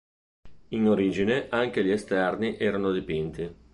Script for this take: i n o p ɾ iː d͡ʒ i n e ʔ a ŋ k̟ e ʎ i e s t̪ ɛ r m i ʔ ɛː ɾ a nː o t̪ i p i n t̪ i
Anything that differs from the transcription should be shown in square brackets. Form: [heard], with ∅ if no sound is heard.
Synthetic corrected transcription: i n o [∅] ɾ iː d͡ʒ i n e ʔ a ŋ k̟ e ʎ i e s t̪ ɛ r [n] i ʔ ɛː ɾ a [n] o [d̪] i p i n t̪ i

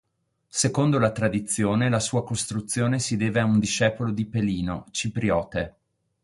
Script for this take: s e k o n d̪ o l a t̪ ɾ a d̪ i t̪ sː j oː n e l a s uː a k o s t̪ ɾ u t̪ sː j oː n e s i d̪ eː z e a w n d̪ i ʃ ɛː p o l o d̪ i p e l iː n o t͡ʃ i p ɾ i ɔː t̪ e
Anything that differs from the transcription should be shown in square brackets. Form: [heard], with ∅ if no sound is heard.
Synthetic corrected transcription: s e k o n d̪ o l a t̪ ɾ a d̪ i t̪ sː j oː n e l a s uː a k o s t̪ ɾ u t̪ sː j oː n e s i d̪ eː [v] e a [u] n d̪ i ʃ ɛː p o l o d̪ i p e l iː n o t͡ʃ i p ɾ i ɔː t̪ e

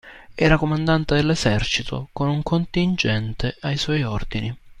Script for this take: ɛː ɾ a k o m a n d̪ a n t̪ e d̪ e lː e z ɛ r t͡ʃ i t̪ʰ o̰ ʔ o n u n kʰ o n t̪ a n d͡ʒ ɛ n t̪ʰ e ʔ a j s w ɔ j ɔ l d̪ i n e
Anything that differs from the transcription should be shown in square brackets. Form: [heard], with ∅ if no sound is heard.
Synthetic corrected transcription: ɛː ɾ a k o m a n d̪ a n t̪ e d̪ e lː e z ɛ r t͡ʃ i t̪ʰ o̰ [k] o n u [ŋ] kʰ o n t̪ [i] n d͡ʒ ɛ n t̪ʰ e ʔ a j s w ɔ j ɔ [r] d̪ i n [i]

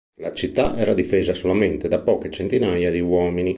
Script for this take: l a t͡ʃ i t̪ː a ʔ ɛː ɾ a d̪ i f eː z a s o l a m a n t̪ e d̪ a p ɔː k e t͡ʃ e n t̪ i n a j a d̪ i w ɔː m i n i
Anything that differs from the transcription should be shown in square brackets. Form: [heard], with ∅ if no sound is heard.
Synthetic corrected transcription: l a t͡ʃ i t̪ː a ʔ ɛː ɾ a d̪ i f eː z a s o l a m [e] n t̪ e d̪ a p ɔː k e t͡ʃ e n t̪ i n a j a d̪ i w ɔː m i n i

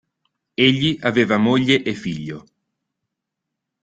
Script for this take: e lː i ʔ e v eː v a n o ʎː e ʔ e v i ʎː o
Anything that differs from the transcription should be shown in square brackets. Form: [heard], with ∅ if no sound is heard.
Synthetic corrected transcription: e [ʎː] i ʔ [a] v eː v a [m] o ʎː e ʔ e [f] i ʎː o

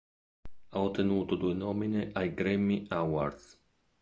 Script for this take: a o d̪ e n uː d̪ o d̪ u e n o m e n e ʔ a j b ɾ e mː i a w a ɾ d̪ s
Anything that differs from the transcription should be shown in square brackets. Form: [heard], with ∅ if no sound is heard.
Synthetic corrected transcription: a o [t̪] e n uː [t̪] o d̪ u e n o m [i] n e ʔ a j [ɡ] ɾ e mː i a w a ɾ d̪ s

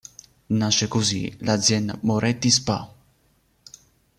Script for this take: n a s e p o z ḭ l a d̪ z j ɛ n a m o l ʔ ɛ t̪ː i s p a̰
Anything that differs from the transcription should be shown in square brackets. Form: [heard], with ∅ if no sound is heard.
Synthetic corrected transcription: n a [ʃ] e [k] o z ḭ l a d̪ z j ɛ n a m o [ɾ] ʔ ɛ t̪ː i s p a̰

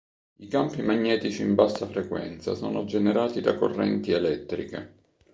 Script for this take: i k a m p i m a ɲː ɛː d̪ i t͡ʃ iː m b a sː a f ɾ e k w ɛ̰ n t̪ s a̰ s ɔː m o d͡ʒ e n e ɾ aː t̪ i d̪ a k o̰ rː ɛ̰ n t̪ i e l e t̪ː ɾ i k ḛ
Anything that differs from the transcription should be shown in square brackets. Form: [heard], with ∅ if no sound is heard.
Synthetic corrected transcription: i k a m p i m a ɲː ɛː [t̪] i t͡ʃ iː m b a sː a f ɾ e k w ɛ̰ n t̪ s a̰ s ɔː [n] o d͡ʒ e n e ɾ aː t̪ i d̪ a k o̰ rː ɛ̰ n t̪ i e l [ɛ] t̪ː ɾ i k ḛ

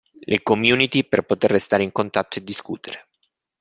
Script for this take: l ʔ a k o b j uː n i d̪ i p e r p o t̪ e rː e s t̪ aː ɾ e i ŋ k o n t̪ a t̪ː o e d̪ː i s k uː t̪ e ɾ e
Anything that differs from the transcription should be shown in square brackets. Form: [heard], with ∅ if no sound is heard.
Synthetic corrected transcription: l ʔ [e] k o [m] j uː n i [t̪] i p e r p o t̪ e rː e s t̪ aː ɾ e i ŋ k o n t̪ a t̪ː o e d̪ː i s k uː t̪ e ɾ e

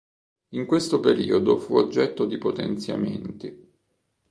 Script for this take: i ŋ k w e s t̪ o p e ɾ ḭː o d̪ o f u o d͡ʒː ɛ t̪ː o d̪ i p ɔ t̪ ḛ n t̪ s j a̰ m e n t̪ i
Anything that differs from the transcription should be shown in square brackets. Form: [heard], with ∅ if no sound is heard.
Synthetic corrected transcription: i ŋ k w e s t̪ o p e ɾ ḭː o d̪ o f u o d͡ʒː ɛ t̪ː o d̪ i p [o] t̪ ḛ n t̪ s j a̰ m e n t̪ i

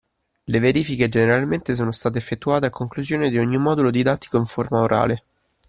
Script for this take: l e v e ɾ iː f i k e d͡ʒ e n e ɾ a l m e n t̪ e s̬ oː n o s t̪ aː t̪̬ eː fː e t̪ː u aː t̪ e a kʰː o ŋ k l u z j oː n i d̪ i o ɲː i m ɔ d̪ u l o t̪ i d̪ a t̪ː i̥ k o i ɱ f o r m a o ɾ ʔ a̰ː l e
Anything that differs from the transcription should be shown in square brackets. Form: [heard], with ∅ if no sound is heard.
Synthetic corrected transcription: l e v e ɾ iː f i k e d͡ʒ e n e ɾ a l m e n t̪ e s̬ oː n o s t̪ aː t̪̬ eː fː e t̪ː u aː t̪ e a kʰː o ŋ k l u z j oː n [e] d̪ i o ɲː i m ɔ d̪ u l o [d̪] i d̪ a t̪ː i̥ k o i ɱ f o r m a o ɾ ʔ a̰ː l e

